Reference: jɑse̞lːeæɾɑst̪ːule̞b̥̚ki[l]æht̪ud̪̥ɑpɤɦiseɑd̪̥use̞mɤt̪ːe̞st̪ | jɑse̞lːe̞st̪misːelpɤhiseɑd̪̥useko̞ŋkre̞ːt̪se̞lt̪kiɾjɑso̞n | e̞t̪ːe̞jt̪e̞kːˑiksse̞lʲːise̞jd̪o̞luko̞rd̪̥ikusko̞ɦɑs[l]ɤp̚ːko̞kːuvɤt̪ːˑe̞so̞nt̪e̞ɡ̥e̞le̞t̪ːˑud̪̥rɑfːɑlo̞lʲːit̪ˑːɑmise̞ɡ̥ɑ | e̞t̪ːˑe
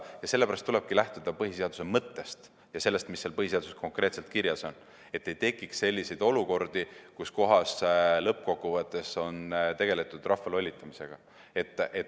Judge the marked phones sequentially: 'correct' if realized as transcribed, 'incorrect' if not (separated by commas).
correct, correct